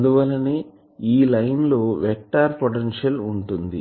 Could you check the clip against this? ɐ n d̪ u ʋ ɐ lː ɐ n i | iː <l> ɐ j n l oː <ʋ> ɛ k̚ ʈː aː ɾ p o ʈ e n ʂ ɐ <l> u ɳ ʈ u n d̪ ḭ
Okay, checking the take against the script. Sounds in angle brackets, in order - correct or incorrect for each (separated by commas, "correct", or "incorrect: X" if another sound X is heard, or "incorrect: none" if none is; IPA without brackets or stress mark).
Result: correct, correct, correct